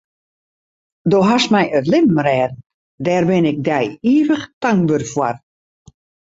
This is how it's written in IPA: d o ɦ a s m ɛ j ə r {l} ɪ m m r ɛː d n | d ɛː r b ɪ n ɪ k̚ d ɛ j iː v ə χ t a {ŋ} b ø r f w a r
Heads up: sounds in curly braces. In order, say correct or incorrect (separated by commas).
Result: correct, correct